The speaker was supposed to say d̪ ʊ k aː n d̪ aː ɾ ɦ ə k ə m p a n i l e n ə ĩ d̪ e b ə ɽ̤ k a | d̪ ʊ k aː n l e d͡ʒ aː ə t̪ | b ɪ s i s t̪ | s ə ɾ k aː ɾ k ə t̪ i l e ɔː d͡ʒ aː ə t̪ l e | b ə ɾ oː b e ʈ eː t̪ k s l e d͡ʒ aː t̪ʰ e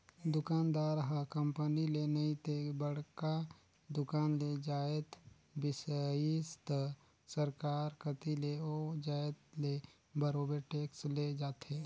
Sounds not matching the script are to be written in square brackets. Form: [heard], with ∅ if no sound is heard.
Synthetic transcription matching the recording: d̪ ʊ k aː n d̪ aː ɾ ɦ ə k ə m p [ə] n i l e n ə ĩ [t̪] e b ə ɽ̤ k a | d̪ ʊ k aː n l e d͡ʒ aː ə t̪ | b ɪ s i s t̪ | s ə ɾ k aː ɾ k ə t̪ i l e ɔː d͡ʒ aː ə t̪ l e | b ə ɾ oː b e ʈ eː [∅] k s l e d͡ʒ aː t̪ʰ e